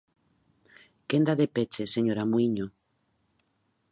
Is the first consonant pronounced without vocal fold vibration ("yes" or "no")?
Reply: yes